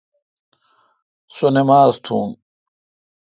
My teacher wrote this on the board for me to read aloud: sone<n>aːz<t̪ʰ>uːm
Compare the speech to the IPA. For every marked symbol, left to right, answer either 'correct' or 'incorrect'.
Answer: incorrect, correct

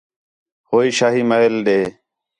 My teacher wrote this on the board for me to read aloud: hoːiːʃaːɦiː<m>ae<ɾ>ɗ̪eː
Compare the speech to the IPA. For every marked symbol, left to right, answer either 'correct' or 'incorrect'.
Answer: correct, incorrect

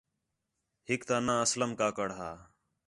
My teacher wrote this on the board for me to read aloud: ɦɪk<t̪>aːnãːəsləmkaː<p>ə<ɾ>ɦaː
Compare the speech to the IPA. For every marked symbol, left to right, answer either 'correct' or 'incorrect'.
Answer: correct, incorrect, incorrect

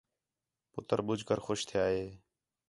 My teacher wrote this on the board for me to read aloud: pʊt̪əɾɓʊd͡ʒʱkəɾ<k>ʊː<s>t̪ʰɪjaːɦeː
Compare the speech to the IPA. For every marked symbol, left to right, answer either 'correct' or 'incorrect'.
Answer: incorrect, incorrect

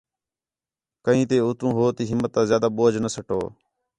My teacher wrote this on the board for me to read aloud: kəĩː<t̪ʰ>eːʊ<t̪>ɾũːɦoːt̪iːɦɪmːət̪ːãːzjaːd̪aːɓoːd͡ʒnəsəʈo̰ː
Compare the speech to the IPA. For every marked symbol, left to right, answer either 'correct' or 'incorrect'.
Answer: incorrect, correct

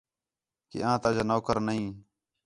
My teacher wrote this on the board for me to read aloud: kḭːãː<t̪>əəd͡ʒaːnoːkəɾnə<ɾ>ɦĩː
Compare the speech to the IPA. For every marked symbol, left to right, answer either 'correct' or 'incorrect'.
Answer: correct, incorrect

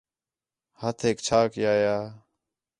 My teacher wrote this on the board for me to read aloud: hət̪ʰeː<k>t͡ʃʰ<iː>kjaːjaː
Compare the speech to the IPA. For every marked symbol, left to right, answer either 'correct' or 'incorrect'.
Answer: correct, incorrect

